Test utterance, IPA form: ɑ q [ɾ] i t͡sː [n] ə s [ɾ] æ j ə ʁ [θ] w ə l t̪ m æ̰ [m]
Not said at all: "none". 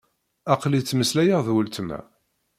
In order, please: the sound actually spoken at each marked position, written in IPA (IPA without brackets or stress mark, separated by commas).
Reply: l, m, l, ð, none